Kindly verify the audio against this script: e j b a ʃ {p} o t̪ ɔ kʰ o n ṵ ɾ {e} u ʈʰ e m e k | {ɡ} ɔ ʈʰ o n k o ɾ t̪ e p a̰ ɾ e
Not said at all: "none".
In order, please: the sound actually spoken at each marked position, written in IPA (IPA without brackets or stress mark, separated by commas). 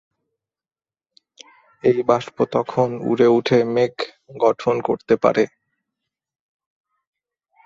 p, e, ɡ